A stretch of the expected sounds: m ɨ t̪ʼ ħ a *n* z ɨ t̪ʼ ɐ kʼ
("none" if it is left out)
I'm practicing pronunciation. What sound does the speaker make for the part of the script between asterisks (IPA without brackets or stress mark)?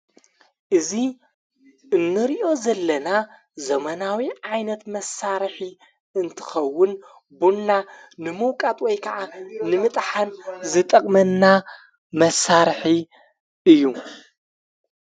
n